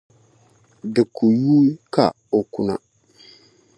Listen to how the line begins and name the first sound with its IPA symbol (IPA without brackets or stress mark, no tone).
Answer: d